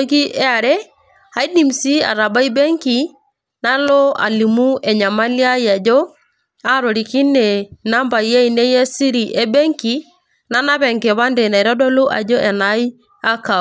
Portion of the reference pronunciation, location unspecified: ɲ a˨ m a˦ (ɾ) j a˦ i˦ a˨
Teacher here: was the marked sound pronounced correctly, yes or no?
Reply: no